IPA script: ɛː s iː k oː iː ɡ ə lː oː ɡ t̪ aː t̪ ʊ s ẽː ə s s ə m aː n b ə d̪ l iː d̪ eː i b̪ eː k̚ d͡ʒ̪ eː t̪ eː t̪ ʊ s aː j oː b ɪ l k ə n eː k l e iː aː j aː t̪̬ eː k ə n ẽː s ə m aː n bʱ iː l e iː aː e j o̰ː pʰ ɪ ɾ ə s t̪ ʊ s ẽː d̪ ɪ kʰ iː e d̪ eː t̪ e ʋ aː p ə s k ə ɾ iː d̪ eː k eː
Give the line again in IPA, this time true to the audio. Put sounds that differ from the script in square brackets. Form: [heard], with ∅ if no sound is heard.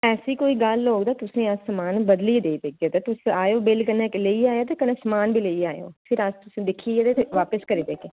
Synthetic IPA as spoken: ɛː s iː k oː iː ɡ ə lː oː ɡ [d̪] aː t̪ ʊ s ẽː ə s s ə m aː n b ə d̪ l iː d̪ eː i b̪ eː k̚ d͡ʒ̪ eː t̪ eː t̪ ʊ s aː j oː b ɪ l k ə n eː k l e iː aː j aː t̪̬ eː k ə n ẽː s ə m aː n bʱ iː l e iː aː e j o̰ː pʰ ɪ ɾ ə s t̪ ʊ s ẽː d̪ ɪ kʰ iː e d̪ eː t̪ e ʋ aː p ə s k ə ɾ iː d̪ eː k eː